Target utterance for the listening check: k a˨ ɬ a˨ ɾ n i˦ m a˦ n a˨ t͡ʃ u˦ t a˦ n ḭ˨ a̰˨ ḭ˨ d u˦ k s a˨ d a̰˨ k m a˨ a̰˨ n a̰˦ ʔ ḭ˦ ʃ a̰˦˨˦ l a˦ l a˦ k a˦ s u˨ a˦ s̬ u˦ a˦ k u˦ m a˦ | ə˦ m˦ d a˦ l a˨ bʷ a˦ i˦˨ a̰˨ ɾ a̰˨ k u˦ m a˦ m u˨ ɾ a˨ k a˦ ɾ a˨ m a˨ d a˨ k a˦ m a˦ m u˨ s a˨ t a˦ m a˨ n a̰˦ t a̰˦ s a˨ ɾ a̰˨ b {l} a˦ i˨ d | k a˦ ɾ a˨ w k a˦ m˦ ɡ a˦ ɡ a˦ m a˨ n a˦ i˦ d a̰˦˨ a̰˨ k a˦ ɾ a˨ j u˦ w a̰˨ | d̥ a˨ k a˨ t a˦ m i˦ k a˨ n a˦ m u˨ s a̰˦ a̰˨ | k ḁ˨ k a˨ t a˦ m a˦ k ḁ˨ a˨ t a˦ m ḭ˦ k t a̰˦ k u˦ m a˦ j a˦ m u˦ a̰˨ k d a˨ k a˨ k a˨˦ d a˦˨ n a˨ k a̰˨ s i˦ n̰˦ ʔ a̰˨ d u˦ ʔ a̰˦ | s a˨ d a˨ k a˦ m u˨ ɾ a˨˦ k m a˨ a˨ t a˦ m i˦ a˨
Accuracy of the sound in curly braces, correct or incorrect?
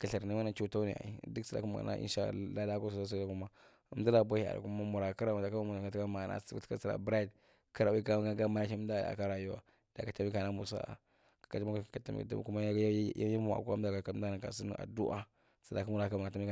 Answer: incorrect: ɾ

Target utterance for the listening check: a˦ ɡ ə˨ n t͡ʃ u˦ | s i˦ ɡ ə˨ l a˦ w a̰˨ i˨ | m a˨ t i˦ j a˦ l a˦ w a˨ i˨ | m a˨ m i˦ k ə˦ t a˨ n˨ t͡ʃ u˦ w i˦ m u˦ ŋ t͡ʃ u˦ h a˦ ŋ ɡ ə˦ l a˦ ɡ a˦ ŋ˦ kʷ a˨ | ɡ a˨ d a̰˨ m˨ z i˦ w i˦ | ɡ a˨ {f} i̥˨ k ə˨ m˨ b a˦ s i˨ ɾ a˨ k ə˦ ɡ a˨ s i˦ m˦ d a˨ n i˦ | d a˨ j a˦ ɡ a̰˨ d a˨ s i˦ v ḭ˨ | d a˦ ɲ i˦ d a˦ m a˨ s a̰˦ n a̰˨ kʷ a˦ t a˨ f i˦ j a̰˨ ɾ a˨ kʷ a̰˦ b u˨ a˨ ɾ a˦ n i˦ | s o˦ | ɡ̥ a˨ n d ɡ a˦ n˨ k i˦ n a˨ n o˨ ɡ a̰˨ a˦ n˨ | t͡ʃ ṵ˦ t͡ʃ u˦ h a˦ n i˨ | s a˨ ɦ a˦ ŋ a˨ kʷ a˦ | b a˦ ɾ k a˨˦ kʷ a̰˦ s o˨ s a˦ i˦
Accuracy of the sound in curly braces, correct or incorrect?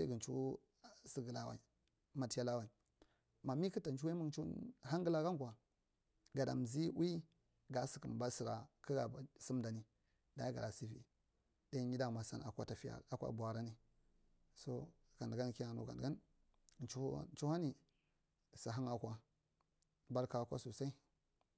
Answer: incorrect: s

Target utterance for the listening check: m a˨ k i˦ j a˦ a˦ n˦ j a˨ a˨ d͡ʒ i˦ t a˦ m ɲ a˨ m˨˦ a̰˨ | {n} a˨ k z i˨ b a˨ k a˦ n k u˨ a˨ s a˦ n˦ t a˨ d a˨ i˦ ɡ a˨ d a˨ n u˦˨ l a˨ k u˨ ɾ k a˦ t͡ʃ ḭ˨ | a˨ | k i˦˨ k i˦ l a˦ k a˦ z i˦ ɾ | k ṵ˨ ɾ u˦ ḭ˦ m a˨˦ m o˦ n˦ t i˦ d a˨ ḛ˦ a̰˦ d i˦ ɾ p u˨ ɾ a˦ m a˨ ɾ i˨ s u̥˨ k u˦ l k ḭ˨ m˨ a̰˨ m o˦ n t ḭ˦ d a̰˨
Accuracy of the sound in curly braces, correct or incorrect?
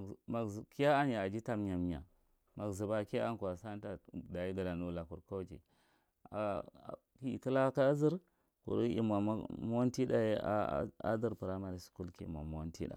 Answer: incorrect: m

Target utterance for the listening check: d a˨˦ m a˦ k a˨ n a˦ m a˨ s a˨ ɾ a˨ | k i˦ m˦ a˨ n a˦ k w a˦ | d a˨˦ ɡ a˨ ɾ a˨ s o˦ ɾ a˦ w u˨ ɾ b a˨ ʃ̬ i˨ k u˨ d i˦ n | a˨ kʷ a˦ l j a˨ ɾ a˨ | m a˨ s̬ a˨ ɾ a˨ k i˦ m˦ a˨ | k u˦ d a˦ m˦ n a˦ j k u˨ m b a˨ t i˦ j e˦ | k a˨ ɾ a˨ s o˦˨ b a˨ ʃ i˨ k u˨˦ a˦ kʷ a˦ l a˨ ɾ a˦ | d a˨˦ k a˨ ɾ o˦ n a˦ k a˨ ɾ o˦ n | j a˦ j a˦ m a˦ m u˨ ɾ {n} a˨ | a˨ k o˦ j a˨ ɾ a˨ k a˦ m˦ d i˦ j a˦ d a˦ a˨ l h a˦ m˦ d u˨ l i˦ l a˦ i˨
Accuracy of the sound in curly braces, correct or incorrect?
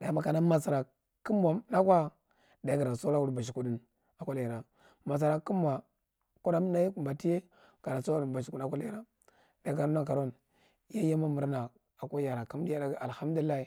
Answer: correct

